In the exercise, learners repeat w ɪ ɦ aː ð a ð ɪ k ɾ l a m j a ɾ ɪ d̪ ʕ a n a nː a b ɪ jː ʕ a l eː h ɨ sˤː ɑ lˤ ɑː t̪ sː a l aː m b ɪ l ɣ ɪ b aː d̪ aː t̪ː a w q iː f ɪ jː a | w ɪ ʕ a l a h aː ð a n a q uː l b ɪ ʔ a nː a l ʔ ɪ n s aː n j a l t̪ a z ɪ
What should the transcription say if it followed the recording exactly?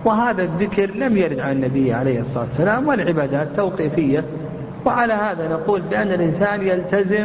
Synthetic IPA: w ɪ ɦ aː ð a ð ɪ k ɾ l a m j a ɾ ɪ d̪ ʕ a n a nː a b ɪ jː ʕ a l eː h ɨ sˤː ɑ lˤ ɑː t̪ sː a l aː m w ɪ l ʕ ɪ b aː d̪ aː t̪ː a w q iː f ɪ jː a | w ɪ ʕ a l a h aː ð a n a q uː l b ɪ ʔ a nː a l ʔ ɪ n s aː n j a l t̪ a z ɪ